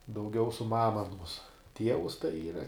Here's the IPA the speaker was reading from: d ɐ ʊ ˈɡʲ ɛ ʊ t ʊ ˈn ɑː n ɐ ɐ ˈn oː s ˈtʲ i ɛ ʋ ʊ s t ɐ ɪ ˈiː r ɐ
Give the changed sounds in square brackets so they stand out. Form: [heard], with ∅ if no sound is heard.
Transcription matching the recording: d ɐ ʊ ˈɡʲ ɛ ʊ [s] ʊ [ˈm] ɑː [m] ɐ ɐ ˈn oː s ˈtʲ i ɛ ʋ ʊ s t ɐ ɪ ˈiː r ɐ